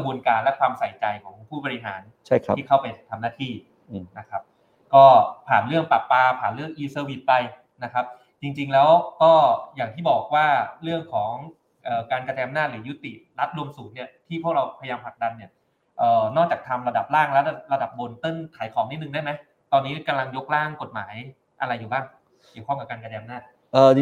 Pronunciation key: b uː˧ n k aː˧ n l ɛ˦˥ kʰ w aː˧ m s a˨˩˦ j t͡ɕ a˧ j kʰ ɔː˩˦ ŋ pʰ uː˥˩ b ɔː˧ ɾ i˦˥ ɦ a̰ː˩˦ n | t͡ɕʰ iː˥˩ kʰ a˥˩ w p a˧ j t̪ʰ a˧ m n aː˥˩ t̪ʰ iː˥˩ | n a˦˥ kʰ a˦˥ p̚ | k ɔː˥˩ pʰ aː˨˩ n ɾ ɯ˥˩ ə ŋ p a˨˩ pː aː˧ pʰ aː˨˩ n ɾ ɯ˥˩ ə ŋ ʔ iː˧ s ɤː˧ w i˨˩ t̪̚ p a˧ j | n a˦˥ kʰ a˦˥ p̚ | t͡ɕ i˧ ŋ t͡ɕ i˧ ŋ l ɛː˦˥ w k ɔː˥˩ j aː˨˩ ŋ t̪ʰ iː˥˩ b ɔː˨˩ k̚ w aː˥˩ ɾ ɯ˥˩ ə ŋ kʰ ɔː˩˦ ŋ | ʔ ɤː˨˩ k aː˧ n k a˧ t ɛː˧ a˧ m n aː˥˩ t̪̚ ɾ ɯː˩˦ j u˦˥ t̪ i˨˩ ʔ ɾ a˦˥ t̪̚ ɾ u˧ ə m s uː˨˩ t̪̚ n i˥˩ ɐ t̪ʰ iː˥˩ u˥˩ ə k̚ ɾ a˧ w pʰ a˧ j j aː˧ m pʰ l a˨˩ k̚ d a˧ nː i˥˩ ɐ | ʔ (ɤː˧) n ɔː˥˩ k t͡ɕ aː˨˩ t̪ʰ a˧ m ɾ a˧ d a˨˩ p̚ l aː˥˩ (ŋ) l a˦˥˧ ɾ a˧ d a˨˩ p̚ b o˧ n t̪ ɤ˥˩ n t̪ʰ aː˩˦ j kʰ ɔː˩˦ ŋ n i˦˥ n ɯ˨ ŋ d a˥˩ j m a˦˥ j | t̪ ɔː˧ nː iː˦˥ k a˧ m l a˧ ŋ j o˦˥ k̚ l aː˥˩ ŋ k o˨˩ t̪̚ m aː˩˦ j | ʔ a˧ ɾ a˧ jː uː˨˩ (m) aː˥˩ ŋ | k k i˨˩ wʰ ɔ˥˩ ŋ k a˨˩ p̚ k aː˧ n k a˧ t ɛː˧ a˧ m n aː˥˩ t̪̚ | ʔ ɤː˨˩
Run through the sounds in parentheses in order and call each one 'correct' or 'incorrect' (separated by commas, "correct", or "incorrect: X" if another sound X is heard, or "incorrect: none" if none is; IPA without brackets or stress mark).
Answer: incorrect: ɤː˨˩, correct, incorrect: b